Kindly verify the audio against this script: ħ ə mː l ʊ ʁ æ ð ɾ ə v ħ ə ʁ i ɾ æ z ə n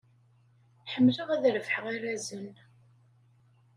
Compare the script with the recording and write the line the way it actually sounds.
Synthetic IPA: ħ ə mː l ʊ ʁ æ ð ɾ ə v ħ ə ʁ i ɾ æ z ə n